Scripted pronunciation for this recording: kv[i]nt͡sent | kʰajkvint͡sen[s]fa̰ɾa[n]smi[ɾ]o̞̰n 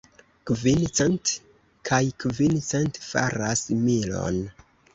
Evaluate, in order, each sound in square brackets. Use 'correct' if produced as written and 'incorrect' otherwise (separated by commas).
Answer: correct, incorrect, incorrect, incorrect